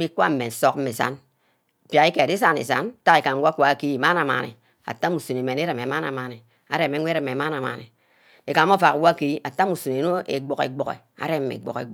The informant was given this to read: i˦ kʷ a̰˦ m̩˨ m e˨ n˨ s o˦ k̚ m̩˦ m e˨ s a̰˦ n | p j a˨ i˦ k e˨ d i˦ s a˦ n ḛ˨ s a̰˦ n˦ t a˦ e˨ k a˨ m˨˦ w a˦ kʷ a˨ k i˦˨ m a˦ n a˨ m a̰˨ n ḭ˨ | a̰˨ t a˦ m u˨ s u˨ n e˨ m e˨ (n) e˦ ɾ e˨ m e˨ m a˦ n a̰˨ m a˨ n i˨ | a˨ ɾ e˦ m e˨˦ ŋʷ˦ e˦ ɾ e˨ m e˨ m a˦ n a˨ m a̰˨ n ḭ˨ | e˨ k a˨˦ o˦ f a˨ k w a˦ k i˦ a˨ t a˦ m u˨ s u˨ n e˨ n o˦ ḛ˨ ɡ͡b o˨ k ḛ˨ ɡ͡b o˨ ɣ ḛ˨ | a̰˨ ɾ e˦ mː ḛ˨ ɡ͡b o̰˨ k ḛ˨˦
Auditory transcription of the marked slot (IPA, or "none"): n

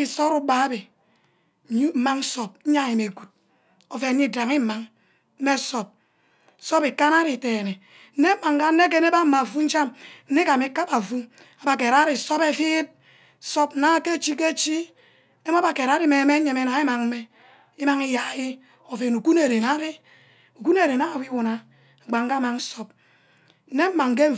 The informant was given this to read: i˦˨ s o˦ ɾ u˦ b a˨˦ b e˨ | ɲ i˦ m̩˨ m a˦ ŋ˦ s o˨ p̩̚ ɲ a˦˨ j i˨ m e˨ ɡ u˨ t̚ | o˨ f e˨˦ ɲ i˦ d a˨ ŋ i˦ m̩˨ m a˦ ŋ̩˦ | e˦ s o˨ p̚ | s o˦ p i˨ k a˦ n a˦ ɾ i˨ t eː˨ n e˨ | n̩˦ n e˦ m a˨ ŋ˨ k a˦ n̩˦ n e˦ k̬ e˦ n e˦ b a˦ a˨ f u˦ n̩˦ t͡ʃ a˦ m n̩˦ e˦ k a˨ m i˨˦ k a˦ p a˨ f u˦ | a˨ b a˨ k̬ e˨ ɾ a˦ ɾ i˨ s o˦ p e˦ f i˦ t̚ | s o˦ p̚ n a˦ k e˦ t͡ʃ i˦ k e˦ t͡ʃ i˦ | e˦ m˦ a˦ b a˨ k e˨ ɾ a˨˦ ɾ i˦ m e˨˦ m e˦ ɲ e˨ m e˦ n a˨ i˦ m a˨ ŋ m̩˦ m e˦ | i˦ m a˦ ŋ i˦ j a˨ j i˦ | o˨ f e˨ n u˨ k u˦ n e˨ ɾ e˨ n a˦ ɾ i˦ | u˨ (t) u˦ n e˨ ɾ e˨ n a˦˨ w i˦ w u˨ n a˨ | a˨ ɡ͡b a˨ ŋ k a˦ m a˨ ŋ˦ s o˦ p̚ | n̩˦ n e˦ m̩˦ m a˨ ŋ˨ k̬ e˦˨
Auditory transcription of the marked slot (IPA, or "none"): k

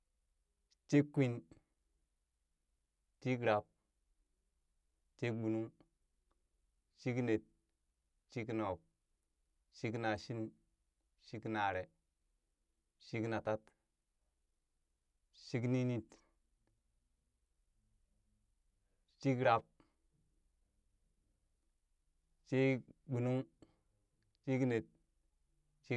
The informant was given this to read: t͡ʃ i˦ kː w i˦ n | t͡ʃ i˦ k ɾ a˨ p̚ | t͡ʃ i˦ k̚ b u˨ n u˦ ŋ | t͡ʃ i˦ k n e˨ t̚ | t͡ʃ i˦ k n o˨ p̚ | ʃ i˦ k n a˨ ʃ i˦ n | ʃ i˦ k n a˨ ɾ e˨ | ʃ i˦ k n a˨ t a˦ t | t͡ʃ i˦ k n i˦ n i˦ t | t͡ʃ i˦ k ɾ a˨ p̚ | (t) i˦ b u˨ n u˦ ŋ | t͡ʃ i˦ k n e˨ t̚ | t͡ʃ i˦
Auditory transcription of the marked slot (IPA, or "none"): t͡ʃ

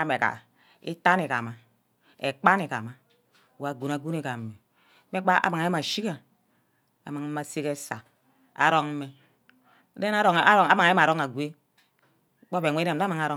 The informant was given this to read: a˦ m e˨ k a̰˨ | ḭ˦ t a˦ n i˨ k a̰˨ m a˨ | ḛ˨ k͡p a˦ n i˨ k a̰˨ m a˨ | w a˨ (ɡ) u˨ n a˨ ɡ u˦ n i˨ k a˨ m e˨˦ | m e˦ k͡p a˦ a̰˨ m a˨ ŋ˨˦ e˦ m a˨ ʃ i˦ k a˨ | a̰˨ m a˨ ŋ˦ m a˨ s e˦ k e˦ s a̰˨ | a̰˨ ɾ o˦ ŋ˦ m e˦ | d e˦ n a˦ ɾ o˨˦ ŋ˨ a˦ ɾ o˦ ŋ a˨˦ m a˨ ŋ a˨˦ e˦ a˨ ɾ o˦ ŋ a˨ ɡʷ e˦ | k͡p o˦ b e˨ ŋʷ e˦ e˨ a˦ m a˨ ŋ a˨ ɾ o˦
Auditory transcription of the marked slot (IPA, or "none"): ɡ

